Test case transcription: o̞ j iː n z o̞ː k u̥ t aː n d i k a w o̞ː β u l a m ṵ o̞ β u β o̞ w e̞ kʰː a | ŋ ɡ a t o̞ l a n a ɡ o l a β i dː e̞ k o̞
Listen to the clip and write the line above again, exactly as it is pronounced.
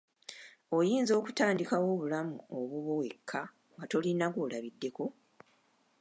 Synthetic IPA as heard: o̞ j iː n z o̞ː k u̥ t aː n d i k a w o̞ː β u l a m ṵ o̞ β u β o̞ w e̞ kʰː a | ŋ ɡ a t o̞ l i n a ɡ o l a β i dː e̞ k o̞